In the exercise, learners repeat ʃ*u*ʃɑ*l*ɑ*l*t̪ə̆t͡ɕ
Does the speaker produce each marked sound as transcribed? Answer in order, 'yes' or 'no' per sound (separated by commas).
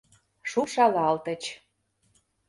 yes, yes, yes